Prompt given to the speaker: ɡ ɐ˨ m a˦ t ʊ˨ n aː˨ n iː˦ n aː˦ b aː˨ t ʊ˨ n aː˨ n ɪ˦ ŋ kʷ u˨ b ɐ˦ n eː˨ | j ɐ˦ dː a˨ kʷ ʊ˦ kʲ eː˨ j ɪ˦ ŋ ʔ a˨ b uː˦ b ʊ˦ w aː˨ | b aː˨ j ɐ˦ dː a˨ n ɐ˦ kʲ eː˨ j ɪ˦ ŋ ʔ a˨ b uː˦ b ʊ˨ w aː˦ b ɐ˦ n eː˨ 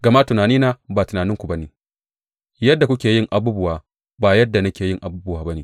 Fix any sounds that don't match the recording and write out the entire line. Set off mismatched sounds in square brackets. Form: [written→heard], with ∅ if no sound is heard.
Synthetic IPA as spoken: ɡ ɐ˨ m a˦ t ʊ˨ n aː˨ n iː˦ n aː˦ b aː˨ t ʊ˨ n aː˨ n ɪ˦ ŋ kʷ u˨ b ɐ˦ n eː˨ | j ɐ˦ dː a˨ kʷ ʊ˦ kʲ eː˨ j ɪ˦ ŋ ʔ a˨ b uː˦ b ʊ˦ w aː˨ | b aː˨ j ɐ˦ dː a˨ n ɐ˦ kʲ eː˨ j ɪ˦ ŋ ʔ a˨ b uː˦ b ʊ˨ w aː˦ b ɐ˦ n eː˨

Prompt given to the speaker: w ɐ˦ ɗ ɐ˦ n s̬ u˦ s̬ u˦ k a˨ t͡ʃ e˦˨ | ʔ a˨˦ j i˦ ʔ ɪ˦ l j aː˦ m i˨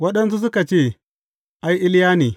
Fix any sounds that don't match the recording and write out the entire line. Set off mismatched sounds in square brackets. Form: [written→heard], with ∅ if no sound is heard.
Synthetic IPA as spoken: w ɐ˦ ɗ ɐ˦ n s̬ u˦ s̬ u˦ k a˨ t͡ʃ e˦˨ | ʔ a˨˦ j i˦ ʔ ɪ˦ l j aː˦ [m→n] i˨

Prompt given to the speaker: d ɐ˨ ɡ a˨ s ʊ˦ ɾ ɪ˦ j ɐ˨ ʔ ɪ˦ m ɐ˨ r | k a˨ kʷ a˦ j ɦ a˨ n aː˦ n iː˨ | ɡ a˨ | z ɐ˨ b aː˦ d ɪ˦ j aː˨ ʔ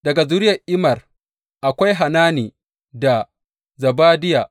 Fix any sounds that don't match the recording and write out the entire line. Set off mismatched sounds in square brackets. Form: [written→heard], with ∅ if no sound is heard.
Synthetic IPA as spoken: d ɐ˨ ɡ a˨ [s→z] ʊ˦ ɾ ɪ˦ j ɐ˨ ʔ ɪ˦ m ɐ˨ r | [k→ʔ] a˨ kʷ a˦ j ɦ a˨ n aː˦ n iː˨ | [ɡ→d] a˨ | z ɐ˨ b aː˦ d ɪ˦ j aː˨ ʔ

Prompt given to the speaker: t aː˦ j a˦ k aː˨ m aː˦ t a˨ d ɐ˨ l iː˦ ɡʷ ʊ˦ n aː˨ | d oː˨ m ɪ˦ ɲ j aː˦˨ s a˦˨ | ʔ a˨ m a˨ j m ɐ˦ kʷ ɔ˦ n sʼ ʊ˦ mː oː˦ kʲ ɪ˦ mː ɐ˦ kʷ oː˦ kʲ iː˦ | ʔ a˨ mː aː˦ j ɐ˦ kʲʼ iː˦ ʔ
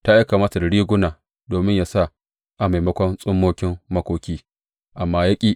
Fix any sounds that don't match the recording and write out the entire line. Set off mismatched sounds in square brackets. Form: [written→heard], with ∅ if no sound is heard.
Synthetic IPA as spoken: t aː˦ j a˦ k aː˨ m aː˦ t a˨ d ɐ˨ [l→ɽ] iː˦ ɡʷ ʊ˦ n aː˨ | d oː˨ m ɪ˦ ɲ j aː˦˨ s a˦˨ | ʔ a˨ m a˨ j m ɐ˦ kʷ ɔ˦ n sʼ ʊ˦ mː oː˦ kʲ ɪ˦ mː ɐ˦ kʷ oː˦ kʲ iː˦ | ʔ a˨ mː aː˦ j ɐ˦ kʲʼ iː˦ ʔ

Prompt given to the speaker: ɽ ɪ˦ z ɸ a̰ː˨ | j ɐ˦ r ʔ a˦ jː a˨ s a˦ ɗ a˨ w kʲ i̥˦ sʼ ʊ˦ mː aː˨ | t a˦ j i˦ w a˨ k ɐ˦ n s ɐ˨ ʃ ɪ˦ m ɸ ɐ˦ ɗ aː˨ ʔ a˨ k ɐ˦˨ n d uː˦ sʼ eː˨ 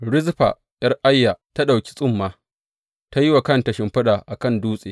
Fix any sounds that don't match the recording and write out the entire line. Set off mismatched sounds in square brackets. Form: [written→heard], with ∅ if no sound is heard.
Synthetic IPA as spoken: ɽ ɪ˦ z ɸ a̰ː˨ | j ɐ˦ r ʔ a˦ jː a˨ [s→t] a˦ ɗ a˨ w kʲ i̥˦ sʼ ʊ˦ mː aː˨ | t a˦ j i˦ w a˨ k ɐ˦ n [s→t] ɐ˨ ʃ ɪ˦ m ɸ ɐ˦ ɗ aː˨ ʔ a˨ k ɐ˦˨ n d uː˦ sʼ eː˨

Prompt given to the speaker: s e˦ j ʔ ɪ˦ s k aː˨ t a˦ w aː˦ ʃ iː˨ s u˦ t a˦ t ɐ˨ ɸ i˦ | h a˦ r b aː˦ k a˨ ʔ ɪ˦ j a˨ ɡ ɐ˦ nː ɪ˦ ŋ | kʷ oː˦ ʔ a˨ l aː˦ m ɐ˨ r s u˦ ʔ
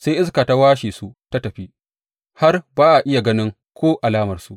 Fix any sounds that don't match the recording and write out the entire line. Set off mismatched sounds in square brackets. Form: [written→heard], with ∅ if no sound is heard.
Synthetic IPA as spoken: s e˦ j ʔ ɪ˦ s k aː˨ t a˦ w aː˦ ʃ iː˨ s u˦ t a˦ t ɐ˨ ɸ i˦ | h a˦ r b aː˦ [k→ʔ] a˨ ʔ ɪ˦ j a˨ ɡ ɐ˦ [nː→n] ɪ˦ ŋ | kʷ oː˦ ʔ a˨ l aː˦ m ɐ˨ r s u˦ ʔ

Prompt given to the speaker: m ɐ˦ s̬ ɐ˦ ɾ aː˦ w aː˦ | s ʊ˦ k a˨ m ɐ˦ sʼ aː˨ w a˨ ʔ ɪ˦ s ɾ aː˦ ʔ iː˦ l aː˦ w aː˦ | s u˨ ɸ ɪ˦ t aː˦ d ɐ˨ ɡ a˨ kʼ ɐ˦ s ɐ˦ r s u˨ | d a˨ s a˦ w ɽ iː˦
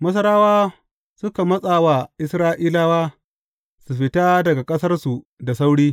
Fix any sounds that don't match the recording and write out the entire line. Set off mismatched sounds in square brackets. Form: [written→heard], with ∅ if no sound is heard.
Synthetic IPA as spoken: m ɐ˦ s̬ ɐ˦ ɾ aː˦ w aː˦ | s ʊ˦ k a˨ m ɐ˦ sʼ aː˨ w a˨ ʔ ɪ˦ s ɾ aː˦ ʔ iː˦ l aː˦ w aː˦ | s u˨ ɸ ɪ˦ t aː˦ d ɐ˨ ɡ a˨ kʼ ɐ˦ s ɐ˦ r s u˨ | d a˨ s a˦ w ɽ iː˦

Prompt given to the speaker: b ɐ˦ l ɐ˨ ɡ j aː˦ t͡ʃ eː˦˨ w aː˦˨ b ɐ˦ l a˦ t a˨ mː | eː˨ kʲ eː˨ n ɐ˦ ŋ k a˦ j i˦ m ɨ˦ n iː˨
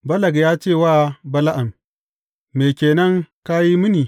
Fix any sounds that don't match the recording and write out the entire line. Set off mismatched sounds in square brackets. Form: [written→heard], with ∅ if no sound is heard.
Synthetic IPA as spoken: b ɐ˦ l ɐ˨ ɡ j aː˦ t͡ʃ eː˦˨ w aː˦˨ b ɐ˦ l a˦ [t→ʔ] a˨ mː | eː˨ kʲ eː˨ n ɐ˦ ŋ k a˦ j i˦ m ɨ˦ n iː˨

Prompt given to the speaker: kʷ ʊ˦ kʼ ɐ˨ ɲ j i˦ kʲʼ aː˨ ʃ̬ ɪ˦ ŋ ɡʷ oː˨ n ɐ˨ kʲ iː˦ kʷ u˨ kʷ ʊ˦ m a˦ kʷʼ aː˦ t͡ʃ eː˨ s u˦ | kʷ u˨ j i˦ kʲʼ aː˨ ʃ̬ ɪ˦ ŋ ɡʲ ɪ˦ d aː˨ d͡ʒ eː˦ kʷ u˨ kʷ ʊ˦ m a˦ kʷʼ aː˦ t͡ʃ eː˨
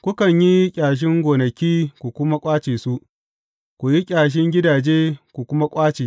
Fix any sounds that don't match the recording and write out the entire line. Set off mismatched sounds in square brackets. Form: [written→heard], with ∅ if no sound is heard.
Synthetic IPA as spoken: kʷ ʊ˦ [kʼ→k] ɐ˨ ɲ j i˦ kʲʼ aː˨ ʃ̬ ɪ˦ ŋ ɡʷ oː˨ n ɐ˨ kʲ iː˦ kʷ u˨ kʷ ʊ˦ m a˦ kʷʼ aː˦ t͡ʃ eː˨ s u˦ | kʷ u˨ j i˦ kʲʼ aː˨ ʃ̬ ɪ˦ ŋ ɡʲ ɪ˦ d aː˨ d͡ʒ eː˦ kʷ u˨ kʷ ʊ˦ m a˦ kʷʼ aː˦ t͡ʃ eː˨

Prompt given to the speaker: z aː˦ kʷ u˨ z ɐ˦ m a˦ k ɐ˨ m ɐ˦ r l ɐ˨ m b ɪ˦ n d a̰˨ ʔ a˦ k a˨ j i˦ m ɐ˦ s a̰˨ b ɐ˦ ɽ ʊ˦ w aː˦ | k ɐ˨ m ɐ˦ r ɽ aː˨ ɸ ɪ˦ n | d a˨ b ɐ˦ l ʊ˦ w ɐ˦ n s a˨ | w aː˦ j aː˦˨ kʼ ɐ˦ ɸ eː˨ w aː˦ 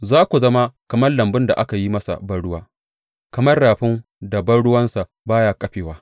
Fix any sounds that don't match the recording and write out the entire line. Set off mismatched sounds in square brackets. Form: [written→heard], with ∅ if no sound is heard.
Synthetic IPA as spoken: z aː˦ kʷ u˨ z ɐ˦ m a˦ k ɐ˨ m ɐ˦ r l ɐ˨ m b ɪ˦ n d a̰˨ ʔ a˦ k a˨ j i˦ m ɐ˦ s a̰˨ b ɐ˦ ɽ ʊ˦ w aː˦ | k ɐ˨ m ɐ˦ r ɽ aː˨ ɸ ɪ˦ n | d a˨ b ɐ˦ [l→ɽ] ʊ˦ w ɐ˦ n s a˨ | [w→b] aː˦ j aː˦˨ kʼ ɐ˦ ɸ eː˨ w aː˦

